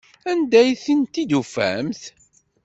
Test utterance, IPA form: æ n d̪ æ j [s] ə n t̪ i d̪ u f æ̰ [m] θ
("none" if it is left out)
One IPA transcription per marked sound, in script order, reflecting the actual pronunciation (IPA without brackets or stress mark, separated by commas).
θ, m